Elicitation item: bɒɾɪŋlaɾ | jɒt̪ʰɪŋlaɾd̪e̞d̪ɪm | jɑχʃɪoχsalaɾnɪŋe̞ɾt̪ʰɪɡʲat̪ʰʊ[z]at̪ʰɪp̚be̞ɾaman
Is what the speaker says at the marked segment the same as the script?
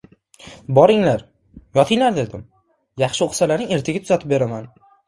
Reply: yes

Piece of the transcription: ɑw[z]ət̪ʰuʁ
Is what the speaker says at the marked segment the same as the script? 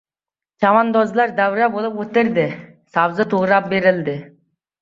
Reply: yes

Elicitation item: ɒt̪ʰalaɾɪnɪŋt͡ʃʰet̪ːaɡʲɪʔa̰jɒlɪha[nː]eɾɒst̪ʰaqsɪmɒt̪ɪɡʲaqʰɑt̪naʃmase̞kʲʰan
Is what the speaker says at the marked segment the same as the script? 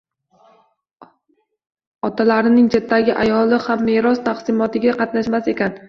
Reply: no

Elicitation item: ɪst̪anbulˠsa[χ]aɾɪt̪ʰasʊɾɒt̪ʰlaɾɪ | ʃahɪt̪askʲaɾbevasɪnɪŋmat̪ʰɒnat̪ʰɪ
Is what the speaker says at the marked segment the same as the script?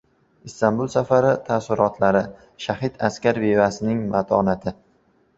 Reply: no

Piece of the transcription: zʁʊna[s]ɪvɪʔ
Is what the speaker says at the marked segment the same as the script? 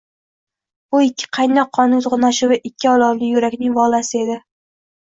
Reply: no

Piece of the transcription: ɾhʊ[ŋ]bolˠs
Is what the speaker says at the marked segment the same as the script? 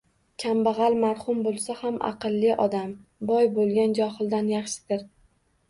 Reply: no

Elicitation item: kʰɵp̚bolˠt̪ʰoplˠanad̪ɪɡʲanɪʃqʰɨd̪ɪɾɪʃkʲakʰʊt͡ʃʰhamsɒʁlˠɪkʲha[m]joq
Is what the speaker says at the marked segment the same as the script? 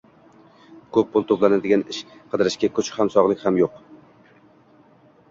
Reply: yes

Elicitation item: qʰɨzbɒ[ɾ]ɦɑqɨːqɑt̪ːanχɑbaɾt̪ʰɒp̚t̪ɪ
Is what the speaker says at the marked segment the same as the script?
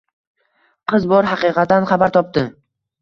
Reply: yes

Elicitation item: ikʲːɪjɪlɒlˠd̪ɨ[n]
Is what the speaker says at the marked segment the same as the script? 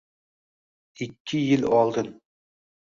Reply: yes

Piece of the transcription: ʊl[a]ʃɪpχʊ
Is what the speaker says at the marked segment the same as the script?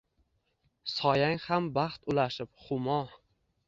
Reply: yes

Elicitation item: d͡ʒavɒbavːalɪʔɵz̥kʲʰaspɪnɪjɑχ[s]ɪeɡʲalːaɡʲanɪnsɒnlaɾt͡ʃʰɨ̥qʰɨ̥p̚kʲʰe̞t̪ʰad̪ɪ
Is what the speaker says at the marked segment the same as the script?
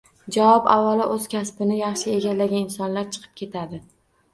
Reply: no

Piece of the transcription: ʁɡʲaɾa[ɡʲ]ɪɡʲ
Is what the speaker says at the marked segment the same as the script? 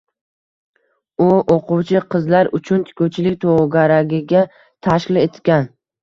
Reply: yes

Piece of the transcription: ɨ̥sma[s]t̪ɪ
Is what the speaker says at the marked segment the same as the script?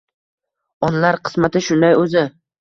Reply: no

